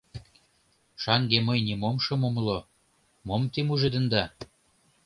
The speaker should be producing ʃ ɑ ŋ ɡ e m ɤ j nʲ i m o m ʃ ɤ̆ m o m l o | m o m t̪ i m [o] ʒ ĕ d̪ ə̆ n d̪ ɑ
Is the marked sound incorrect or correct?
incorrect